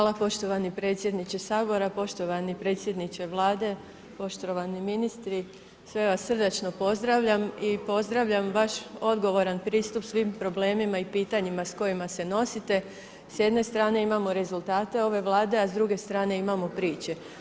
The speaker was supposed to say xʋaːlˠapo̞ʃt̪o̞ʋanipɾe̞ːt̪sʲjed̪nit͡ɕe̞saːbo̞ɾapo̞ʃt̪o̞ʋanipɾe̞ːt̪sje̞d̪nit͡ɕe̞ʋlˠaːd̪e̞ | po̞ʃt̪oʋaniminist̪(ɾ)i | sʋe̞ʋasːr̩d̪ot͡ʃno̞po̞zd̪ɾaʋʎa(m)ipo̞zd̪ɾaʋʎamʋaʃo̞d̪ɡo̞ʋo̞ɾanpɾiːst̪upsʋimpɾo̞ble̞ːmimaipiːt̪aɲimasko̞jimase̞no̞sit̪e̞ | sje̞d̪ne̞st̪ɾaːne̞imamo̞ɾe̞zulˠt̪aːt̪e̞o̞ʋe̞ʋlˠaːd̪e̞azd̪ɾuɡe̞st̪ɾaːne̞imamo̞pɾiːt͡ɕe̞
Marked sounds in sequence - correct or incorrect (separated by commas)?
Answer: correct, correct